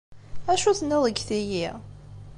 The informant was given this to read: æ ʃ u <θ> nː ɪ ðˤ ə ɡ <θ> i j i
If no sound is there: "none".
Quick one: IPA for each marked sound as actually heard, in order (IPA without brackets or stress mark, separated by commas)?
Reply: θ, θ